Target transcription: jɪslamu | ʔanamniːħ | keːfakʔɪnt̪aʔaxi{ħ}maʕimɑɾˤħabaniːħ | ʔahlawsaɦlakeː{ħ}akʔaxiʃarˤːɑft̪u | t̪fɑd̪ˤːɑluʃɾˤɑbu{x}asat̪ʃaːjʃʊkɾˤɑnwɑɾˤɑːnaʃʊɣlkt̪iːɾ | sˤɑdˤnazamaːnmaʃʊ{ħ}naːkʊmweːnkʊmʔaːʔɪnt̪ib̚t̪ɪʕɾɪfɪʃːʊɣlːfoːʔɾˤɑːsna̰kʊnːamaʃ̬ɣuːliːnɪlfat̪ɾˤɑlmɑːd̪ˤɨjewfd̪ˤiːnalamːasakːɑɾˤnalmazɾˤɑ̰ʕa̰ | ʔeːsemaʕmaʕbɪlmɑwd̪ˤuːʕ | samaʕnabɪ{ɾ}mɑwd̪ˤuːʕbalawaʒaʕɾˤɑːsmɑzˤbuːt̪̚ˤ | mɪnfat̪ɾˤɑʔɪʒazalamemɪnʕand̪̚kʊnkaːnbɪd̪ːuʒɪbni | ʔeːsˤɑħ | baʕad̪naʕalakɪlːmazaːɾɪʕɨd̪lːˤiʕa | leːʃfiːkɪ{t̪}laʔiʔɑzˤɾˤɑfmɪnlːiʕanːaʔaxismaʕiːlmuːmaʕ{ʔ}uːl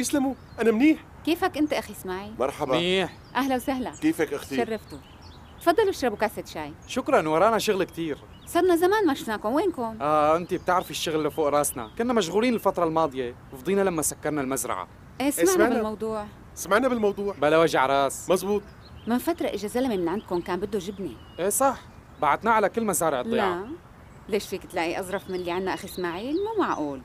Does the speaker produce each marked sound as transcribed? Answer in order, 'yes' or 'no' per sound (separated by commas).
no, no, no, no, no, yes, yes